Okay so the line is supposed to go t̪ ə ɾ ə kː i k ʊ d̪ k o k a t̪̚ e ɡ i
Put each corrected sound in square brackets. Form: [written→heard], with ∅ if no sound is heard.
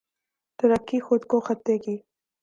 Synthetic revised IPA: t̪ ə ɾ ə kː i [k→x] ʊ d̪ k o [k→x] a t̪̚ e ɡ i